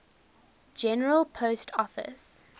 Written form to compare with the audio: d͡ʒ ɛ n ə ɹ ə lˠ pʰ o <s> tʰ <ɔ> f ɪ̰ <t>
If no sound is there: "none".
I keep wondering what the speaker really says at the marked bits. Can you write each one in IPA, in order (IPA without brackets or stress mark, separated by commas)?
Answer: s, ɔ, s